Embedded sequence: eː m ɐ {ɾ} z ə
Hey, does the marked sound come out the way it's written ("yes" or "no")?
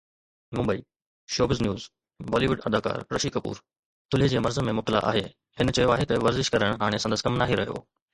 yes